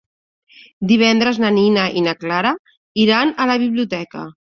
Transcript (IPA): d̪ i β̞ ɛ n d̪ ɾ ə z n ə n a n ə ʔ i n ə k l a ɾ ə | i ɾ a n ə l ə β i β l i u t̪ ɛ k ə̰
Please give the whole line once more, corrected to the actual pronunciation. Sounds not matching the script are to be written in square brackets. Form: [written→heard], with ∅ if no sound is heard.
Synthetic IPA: d̪ i β̞ ɛ n d̪ ɾ ə z n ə n [a→i] n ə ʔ i n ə k l a ɾ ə | i ɾ a n ə l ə β i β l i u t̪ ɛ k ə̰